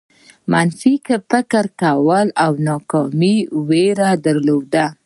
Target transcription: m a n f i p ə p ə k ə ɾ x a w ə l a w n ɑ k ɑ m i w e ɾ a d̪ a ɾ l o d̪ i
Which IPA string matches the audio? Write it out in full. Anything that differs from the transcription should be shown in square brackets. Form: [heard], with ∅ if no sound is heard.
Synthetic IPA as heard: m a n f i [k] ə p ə k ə ɾ [k] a w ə l a w n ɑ k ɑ m i w e ɾ a d̪ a ɾ l o d̪ [a]